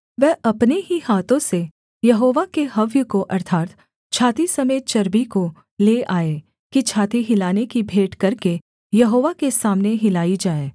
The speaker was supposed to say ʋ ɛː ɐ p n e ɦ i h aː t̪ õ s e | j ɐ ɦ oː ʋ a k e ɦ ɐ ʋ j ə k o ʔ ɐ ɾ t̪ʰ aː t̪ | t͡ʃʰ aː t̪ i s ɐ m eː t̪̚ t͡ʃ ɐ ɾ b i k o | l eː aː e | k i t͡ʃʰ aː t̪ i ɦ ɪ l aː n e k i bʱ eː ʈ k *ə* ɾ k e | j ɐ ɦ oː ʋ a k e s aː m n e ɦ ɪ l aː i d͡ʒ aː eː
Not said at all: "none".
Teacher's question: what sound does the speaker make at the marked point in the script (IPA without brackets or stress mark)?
ɐ